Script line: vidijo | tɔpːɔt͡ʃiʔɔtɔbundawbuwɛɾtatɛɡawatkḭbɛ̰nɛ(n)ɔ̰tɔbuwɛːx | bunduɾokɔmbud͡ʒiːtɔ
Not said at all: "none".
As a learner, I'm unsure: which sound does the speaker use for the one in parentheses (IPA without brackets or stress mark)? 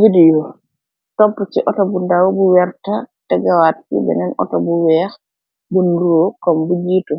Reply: n